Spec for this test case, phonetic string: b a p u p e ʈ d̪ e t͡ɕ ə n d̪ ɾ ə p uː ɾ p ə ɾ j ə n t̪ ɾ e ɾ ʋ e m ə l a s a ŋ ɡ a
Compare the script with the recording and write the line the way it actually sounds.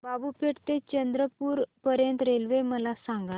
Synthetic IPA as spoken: b a b u p e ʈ t̪ e t͡ɕ ə n d̪ ɾ ə p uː ɾ p ə ɾ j ə n t̪ ɾ e l ʋ e m ə l a s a ŋ ɡ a